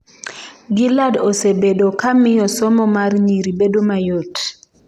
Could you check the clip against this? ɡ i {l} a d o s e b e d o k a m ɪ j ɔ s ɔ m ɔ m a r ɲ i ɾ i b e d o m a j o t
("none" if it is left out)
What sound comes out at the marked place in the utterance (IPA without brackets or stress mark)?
l